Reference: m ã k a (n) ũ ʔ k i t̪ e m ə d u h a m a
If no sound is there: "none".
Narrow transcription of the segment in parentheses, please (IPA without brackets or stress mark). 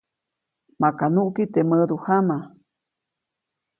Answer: n